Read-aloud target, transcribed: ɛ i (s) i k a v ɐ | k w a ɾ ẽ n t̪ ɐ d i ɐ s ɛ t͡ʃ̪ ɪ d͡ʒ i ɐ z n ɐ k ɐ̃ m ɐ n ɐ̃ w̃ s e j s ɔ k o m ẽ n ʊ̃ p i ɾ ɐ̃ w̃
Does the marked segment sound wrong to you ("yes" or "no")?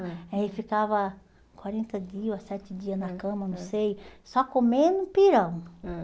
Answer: yes